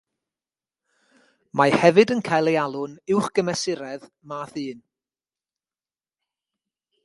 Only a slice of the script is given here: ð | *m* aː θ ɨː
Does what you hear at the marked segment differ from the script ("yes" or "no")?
no